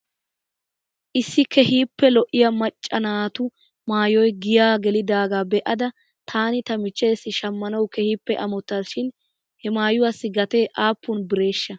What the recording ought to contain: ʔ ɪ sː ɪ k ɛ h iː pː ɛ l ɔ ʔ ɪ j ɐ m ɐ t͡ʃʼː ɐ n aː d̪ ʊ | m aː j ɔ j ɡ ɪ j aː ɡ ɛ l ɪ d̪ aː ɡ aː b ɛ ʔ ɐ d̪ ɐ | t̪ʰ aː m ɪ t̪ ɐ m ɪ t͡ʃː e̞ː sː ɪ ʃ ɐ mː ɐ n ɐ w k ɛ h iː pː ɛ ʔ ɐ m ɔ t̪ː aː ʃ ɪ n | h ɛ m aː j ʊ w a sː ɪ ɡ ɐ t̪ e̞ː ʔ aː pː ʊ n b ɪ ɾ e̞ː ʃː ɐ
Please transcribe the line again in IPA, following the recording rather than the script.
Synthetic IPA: ʔ ɪ sː ɪ k ɛ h iː pː ɛ l ɔ ʔ ɪ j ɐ m ɐ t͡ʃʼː ɐ n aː t̪ ʊ | m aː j ɔ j ɡ ɪ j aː ɡ ɛ l ɪ d̪ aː ɡ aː b ɛ ʔ ɐ d̪ ɐ | t̪ʰ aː n ɪ t̪ ɐ m ɪ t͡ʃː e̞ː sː ɪ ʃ ɐ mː ɐ n ɐ w k ɛ h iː pː ɛ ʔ ɐ m ɔ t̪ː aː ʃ ɪ n | h ɛ m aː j ʊ w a sː ɪ ɡ ɐ t̪ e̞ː ʔ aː pː ʊ n b ɪ ɾ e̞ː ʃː ɐ